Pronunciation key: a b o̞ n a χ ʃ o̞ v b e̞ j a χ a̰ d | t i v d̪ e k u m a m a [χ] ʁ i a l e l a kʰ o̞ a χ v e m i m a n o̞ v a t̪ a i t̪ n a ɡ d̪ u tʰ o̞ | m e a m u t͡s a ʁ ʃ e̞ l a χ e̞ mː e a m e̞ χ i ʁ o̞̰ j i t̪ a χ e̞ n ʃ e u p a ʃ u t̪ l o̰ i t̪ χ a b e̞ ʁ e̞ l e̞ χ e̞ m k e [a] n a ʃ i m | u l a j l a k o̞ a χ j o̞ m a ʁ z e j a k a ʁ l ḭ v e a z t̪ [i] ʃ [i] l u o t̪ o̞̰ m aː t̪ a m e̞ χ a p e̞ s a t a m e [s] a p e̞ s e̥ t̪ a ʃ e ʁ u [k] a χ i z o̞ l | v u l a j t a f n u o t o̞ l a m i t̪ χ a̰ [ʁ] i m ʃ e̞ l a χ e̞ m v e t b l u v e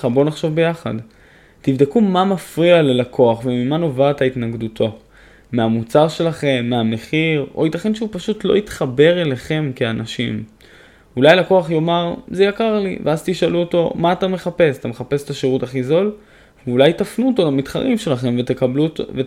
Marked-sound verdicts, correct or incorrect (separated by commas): incorrect, correct, correct, incorrect, incorrect, incorrect, correct